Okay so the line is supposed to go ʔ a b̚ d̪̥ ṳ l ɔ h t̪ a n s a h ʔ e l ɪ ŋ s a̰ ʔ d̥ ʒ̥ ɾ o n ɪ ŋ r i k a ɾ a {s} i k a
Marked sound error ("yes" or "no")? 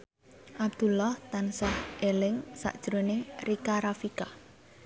yes